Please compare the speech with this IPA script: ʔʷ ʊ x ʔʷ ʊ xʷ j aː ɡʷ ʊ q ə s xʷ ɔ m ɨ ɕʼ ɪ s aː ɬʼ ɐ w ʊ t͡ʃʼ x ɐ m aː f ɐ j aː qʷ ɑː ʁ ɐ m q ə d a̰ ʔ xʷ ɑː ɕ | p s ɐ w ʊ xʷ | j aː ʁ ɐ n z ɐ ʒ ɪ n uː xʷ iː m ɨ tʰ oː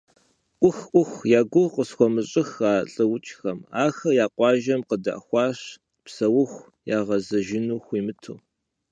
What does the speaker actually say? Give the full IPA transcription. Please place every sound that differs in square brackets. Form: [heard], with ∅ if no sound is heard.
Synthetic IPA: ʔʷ ʊ x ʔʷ ʊ xʷ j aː ɡʷ ʊ q ə s xʷ ɔ m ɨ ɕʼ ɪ [x] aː ɬʼ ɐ w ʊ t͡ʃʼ x ɐ m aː [x] ɐ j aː qʷ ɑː [ʒ] ɐ m q ə d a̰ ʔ xʷ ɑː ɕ | p s ɐ w ʊ xʷ | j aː ʁ ɐ [∅] z ɐ ʒ ɪ n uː xʷ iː m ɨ tʰ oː